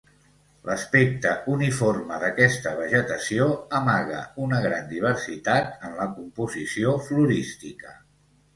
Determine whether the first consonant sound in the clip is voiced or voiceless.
voiced